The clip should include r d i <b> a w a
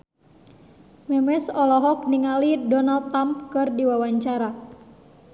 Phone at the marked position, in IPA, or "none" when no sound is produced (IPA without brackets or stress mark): w